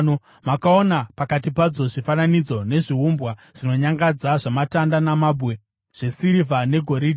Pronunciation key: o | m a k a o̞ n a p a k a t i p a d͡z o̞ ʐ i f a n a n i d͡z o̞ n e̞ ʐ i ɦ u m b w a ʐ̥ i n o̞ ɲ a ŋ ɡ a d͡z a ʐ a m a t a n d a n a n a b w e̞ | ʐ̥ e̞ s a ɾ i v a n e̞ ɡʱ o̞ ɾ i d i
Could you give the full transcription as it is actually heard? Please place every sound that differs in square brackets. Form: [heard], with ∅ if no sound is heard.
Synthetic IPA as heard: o | m a k a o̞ n a p a k a t i p a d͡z o̞ ʐ i f a n a n i d͡z o̞ n e̞ ʐ i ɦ u m b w a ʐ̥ i n o̞ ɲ a ŋ ɡ a d͡z a ʐ a m a t a n d a n a [m] a b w e̞ | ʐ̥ e̞ s [i] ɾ i v a n e̞ ɡʱ o̞ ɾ i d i